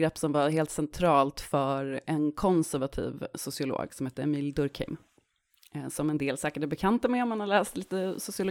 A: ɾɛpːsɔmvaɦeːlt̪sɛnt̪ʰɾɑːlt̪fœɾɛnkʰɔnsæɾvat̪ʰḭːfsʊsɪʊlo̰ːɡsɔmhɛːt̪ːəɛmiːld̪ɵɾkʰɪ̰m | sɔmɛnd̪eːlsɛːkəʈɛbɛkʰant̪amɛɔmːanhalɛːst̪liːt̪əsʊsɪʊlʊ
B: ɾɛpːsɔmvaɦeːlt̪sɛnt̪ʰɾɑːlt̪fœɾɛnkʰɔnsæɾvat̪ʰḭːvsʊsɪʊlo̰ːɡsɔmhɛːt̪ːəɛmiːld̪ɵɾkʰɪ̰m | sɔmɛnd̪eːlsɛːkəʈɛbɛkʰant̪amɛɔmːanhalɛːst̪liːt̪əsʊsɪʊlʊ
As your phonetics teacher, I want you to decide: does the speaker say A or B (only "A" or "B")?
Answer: B